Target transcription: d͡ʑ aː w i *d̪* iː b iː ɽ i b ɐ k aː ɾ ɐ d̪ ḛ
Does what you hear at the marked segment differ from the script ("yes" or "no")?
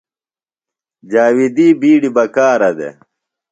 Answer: no